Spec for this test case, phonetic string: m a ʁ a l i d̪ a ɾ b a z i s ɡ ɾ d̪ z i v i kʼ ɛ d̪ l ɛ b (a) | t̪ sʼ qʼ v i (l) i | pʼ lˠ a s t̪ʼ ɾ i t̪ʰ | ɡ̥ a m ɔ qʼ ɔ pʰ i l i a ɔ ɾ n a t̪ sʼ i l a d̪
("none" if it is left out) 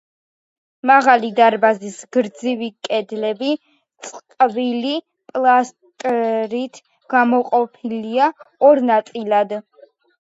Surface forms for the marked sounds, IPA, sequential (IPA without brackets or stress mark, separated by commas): i, l